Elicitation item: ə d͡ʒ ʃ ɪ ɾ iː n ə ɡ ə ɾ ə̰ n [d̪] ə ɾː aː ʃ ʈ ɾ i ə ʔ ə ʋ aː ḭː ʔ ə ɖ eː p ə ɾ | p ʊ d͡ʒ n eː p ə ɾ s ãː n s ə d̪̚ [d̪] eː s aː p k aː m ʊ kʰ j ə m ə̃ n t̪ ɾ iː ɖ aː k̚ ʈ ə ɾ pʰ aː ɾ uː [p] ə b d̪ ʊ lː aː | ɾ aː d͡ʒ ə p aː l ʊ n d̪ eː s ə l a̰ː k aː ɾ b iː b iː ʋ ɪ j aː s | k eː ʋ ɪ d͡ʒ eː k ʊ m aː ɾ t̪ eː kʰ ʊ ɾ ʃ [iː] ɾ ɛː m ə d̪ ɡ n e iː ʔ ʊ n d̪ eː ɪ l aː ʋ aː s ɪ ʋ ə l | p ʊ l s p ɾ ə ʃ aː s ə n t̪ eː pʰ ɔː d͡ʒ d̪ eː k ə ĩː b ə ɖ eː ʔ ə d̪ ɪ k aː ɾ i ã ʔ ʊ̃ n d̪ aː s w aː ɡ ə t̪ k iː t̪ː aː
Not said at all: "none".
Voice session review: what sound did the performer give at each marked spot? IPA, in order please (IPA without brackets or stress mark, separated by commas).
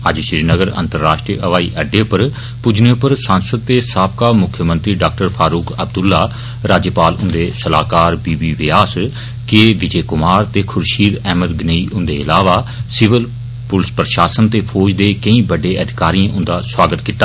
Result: t̪, t̪, k, iː